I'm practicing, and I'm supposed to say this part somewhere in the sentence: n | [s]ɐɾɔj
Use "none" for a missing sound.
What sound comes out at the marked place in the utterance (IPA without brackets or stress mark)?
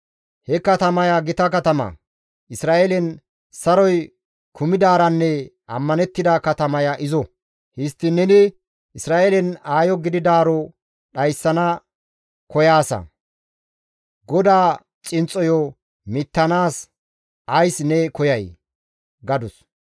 s